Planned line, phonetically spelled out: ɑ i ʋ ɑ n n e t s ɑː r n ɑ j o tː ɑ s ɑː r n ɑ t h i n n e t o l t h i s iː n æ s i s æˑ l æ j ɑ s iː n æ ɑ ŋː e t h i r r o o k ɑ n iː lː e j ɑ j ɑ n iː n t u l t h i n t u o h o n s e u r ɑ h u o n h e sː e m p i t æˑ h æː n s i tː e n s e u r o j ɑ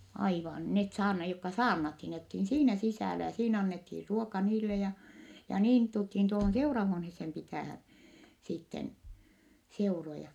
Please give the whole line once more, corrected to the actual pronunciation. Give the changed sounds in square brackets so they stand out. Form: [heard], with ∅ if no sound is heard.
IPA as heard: ɑ i ʋ ɑ n n e t s ɑː r n ɑ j o [kː] ɑ s ɑː r n ɑ t h i n n e t o l t h i s iː n æ s i s æˑ l æ j ɑ s iː n æ ɑ [nː] e t h i r r [u] o k ɑ n iː lː e j ɑ j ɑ n iː n t u l t h i n t u o h o n s e u r ɑ h u o n h e sː e m p i t æˑ h [æ] n s i tː e n s e u r o j ɑ